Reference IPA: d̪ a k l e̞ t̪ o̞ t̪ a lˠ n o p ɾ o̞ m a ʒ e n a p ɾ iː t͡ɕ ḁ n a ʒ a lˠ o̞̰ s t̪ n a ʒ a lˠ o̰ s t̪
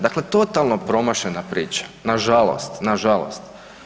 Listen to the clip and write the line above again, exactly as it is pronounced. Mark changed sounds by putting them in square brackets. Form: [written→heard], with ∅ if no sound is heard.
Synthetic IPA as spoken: d̪ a k l e̞ t̪ o̞ t̪ a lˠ n o p ɾ o̞ m a [ʒ→ʃ] e n a p ɾ iː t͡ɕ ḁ n a ʒ a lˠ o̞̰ s t̪ n a ʒ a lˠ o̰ s t̪

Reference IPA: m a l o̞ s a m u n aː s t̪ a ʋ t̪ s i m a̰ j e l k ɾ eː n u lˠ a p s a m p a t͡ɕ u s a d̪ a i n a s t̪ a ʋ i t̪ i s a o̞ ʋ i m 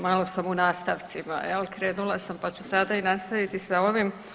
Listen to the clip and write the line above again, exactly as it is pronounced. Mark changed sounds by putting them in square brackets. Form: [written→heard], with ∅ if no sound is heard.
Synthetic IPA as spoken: m a l o̞ s a m u n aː s t̪ a ʋ t̪ s i m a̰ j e l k ɾ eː n u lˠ a [p→∅] s a m p a t͡ɕ u s a d̪ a i n a s t̪ a ʋ i t̪ i s a o̞ ʋ i m

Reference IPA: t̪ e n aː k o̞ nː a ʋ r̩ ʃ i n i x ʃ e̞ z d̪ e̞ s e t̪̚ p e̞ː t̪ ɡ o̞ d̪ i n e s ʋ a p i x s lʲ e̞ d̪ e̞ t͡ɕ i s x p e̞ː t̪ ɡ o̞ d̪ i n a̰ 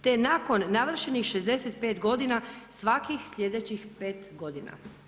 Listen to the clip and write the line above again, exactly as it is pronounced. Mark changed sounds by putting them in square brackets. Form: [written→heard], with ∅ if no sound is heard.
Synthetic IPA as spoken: t̪ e n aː k o̞ nː a ʋ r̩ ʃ [i→e] n i x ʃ e̞ z d̪ e̞ s e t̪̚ p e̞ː t̪ ɡ o̞ d̪ i n [e→a] s ʋ a [p→k] i x s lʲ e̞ d̪ e̞ t͡ɕ i [s→∅] x p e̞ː t̪ ɡ o̞ d̪ i n a̰

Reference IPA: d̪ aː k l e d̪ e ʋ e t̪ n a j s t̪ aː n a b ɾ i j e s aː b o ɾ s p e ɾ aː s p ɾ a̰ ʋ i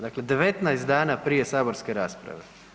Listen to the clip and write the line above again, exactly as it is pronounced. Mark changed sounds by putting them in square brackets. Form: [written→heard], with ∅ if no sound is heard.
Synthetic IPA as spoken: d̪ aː k l e d̪ e ʋ e t̪ n a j s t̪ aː n a [b→p] ɾ i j e s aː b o ɾ s [p→k] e ɾ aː s p ɾ a̰ ʋ [i→e]

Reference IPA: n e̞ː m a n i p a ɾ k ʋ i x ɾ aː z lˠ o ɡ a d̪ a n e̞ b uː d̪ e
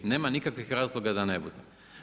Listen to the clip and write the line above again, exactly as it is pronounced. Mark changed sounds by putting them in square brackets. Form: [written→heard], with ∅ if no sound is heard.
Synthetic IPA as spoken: n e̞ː m a n i [p→k] a [ɾ→∅] k ʋ i x ɾ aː z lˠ o ɡ a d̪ a n e̞ b [uː→u] d̪ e

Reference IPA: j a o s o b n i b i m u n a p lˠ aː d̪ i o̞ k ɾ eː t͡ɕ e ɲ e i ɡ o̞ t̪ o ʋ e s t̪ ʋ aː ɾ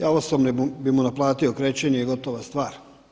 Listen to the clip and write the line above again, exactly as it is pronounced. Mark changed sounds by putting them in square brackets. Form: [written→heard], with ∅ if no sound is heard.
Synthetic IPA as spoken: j a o s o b n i b i m u n a p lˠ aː [d̪→t̪] i o̞ k ɾ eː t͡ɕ e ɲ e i ɡ o̞ t̪ o ʋ [e→a] s t̪ ʋ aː ɾ

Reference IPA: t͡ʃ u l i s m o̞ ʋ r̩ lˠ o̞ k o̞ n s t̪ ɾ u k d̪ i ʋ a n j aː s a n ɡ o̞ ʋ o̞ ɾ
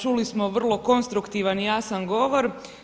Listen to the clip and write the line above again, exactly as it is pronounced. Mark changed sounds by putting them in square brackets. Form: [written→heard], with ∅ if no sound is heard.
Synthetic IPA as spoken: t͡ʃ u l i s m o̞ ʋ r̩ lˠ o̞ k o̞ n s t̪ ɾ u k [d̪→t̪] i ʋ a n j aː s a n ɡ o̞ ʋ o̞ ɾ

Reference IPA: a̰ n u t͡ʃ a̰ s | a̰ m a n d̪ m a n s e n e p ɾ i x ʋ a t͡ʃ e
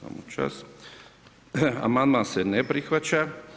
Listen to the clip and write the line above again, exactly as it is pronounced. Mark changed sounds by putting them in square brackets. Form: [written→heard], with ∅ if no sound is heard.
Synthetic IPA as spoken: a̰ [n→m] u t͡ʃ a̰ s | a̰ m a n d̪ m a n s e n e p ɾ i x ʋ a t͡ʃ [e→a]

